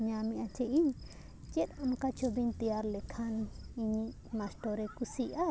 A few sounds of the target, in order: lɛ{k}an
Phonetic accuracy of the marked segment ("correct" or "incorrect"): incorrect